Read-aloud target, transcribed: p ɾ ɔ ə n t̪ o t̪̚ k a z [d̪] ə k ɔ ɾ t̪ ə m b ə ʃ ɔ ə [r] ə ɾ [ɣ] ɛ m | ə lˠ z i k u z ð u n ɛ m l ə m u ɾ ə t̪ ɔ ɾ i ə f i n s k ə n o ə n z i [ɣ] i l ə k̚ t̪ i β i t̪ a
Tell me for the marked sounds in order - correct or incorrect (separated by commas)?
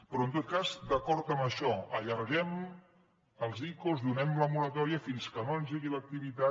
correct, incorrect, correct, correct